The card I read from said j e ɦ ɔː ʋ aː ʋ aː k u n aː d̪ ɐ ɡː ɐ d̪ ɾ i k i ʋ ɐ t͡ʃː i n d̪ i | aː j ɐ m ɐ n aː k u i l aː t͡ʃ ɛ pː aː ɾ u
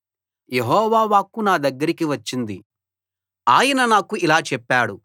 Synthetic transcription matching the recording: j e ɦ ɔː ʋ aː ʋ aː k u n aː d̪ ɐ ɡː ɐ ɾ i k i ʋ ɐ t͡ʃː i n d̪ i | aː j ɐ n ɐ n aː k u i l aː t͡ʃ ɛ pː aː ɽ u